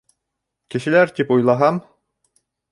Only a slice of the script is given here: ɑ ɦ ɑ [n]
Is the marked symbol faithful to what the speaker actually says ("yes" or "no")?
no